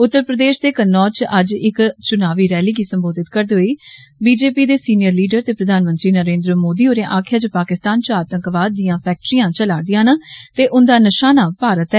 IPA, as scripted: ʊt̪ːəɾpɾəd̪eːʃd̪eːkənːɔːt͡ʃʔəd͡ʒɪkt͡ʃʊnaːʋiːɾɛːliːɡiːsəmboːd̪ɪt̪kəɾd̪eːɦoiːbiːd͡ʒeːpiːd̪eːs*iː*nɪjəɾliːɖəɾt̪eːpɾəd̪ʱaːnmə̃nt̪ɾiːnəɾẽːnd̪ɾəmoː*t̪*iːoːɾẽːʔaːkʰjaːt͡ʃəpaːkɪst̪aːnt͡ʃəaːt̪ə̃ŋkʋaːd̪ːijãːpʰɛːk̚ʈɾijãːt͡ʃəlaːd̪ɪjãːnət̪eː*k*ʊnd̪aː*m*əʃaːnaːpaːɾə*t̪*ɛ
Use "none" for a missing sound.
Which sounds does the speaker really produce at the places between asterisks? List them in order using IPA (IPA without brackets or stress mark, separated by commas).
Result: iː, d̪, ʔ, n, t̪